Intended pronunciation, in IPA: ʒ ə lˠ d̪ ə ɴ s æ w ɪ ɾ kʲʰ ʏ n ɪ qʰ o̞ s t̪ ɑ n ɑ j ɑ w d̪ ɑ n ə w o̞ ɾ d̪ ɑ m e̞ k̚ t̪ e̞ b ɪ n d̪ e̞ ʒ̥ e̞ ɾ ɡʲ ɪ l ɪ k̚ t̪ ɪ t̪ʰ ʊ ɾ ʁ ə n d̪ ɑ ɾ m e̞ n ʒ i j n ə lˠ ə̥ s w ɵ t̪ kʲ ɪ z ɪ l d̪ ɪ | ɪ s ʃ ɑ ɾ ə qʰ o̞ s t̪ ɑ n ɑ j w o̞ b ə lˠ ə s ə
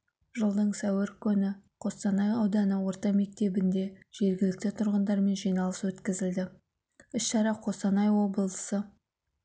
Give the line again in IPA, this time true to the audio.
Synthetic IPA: ʒ ə lˠ d̪ ə ɴ s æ w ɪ ɾ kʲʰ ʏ n ɪ qʰ o̞ s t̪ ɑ n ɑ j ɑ w d̪ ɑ n ə w o̞ ɾ t̪ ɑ m e̞ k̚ t̪ e̞ b ɪ n d̪ e̞ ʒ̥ e̞ ɾ ɡʲ ɪ l ɪ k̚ t̪ ɪ t̪ʰ ʊ ɾ ʁ ə n d̪ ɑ ɾ m e̞ n ʒ i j n ɑ lˠ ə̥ s w ɵ t̪ kʲ ɪ z ɪ l d̪ ɪ | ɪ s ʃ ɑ ɾ ɑ qʰ o̞ s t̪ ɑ n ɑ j w o̞ b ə lˠ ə s ə

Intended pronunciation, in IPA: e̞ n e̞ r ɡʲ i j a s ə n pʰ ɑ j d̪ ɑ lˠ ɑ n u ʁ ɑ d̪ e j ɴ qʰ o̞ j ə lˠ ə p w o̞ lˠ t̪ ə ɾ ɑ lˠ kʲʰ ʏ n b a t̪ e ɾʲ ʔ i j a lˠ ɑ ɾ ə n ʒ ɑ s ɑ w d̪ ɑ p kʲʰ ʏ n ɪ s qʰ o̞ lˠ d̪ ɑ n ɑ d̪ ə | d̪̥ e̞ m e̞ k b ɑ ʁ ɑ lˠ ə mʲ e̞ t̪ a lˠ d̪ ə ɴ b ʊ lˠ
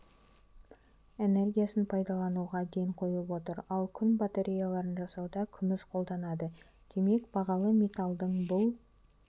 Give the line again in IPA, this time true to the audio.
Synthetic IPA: e̞ n e̞ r ɡʲ i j a s ə n pʰ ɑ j d̪ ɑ lˠ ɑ n u ʁ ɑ d̪ e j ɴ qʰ o̞ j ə lˠ ə p w o̞ t̪ ə ɾ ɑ lˠ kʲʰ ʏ n b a t̪ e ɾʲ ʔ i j a lˠ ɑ ɾ ə n ʒ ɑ s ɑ w d̪ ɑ kʲʰ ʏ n ɪ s qʰ o̞ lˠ d̪ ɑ n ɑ d̪ ə | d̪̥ e̞ m e̞ k b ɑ ʁ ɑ lˠ ə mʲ e̞ t̪ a lˠ d̪ ə ɴ b ʊ lˠ

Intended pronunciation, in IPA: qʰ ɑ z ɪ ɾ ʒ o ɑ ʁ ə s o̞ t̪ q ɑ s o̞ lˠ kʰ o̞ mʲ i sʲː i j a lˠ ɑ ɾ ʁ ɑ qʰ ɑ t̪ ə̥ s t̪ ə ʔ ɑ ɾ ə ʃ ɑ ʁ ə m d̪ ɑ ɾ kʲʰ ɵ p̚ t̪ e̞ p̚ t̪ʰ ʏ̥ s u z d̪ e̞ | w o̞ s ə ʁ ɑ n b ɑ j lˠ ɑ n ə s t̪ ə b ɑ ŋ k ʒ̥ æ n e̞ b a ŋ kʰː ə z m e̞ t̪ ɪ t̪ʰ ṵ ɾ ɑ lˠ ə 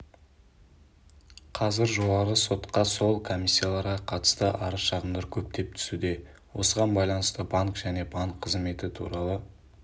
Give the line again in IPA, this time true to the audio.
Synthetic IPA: qʰ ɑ z ɪ ɾ ʒ o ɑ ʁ ə s o̞ t̪ q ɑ s o̞ lˠ kʰ o̞ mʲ i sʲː i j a lˠ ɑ ɾ ʁ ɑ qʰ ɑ t̪ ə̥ s t̪ ə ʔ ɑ ɾ ə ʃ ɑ ʁ ə m d̪ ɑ ɾ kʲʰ ɵ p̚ t̪ e̞ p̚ t̪ʰ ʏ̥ s u d̪ e̞ | w o̞ s ə ʁ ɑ n b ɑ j lˠ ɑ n ə s t̪ ə b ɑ ŋ k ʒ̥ æ n e̞ b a ŋ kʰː ə z m e̞ t̪ ɪ t̪ʰ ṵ ɾ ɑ lˠ ə

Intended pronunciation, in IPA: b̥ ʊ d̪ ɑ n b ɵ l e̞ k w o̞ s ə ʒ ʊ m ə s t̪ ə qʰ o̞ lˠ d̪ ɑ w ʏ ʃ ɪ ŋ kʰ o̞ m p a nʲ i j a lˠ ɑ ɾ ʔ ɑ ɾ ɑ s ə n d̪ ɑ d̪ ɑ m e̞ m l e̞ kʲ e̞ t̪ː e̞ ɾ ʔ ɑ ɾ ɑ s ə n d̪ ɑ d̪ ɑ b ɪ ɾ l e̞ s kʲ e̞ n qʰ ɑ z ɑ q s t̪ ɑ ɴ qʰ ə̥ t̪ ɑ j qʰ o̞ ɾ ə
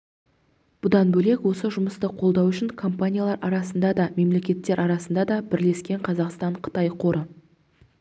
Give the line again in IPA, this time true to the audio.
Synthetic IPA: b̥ ʊ d̪ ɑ n b ɵ l e̞ k w o̞ s ə ʒ ʊ m ə s t̪ ə qʰ o̞ lˠ d̪ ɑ w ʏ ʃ ɪ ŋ kʰ o̞ m p a nʲ i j a lˠ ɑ ɾ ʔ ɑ ɾ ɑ s ə n d̪ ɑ d̪ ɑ m e̞ m l e̞ kʲ e̞ t̪ː e̞ ɾ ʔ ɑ ɾ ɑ s ə n d̪ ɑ d̪ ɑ b ɪ ɾ l e̞ s kʲ e̞ ɴ qʰ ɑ z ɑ q s t̪ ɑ ɴ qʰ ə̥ t̪ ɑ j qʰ o̞ ɾ ə

